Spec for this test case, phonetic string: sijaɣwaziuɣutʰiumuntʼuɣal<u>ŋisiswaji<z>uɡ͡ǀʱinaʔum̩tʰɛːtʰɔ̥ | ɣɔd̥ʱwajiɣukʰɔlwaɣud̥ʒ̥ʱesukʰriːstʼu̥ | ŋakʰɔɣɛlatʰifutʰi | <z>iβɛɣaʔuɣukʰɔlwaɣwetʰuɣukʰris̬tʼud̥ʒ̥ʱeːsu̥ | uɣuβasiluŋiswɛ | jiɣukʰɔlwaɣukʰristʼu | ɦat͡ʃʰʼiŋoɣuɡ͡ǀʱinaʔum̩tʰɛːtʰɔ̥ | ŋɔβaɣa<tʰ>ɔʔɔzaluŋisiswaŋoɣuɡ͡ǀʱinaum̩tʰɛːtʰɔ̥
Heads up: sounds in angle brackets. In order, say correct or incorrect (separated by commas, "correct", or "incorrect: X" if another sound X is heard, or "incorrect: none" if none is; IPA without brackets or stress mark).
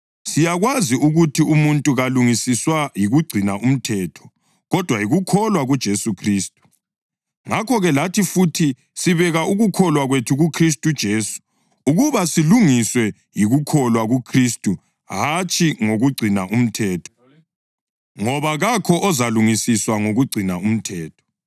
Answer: correct, incorrect: ɣ, incorrect: s, incorrect: kʰ